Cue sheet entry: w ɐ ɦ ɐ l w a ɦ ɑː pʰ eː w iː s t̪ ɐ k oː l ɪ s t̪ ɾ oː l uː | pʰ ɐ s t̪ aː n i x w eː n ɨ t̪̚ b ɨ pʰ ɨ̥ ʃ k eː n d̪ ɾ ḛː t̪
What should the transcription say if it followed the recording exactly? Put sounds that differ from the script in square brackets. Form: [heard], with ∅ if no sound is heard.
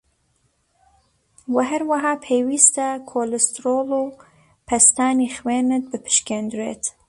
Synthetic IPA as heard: w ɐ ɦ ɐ [ɾ] w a ɦ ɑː pʰ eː w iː s t̪ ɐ [kʰ] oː l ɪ s t̪ ɾ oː l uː | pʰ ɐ s t̪ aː n i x w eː n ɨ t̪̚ b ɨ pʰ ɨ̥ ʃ k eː n d̪ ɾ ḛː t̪